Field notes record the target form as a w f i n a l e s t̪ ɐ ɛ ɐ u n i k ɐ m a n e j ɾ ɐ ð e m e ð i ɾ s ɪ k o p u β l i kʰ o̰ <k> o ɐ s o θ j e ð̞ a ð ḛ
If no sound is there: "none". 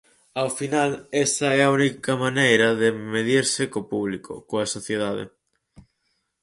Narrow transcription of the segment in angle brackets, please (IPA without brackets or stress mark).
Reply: k